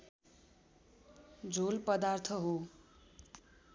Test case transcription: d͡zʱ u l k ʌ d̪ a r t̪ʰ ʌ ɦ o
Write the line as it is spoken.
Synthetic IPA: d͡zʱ o l p ʌ d̪ a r t̪ʰ ʌ ɦ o